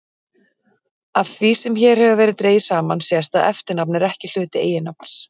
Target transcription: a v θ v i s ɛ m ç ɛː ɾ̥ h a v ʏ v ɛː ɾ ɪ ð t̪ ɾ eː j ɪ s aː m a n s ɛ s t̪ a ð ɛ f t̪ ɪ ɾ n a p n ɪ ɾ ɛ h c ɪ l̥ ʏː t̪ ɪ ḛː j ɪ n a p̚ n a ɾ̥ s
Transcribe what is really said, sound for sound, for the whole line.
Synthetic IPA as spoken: a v θ v i s ɛ m ç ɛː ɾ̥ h ɛ v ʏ v ɛː ɾ ɪ ð t̪ ɾ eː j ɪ s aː m a n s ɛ s t̪ a ð ɛ f t̪ ɪ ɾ n a p n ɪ ɾ ɛ h c ɪ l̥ ʏː t̪ ɪ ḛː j ɪ n a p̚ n a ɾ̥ s